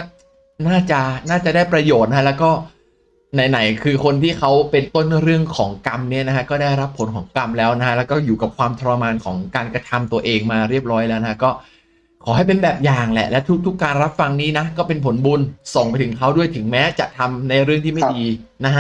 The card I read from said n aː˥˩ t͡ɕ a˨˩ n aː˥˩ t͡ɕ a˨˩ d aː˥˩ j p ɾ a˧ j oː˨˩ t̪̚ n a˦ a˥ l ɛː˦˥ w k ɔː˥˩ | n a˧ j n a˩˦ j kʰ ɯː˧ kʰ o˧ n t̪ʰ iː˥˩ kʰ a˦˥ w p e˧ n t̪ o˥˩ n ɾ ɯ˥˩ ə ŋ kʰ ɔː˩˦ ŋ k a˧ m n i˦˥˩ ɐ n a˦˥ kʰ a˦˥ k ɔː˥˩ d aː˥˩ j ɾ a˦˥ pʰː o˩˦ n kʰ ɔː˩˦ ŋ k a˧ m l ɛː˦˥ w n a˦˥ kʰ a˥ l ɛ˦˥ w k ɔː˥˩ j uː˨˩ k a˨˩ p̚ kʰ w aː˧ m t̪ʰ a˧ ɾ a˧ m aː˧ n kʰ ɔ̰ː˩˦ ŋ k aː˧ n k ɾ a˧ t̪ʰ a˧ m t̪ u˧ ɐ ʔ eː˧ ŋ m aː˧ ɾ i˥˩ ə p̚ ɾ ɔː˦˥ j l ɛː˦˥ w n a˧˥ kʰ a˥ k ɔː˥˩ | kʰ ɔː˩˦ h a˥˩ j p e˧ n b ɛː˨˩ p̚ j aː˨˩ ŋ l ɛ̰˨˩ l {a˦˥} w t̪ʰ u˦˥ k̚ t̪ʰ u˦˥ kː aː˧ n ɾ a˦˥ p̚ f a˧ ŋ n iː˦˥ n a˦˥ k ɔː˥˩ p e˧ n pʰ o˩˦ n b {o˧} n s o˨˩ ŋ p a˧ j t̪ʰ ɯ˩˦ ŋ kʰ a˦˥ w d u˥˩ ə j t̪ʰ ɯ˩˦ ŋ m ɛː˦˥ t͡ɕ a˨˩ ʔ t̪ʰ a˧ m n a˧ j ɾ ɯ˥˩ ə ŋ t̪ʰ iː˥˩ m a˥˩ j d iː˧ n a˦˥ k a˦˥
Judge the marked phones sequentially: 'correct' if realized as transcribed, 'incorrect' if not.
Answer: incorrect: ɛ˦˥, incorrect: u˧

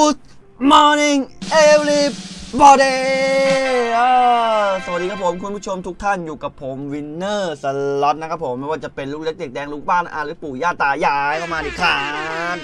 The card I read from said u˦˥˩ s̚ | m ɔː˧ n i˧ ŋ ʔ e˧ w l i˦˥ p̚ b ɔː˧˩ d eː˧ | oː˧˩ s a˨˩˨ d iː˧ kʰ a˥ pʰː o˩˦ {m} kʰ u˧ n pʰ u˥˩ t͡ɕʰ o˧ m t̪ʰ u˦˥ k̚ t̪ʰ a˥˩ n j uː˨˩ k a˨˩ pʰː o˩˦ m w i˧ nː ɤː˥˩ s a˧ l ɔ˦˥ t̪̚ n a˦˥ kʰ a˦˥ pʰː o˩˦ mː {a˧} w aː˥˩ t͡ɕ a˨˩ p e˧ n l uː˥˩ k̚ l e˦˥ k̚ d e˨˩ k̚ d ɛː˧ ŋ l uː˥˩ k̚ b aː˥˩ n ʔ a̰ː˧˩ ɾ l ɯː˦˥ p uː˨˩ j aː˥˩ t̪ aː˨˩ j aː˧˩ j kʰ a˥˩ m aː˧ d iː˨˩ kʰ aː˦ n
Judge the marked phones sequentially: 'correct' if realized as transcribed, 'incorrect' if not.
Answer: correct, incorrect: a˥˩

